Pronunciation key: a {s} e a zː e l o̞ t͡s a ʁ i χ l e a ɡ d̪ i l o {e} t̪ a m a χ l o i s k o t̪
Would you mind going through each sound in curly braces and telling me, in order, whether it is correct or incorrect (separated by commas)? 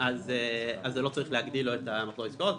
incorrect, correct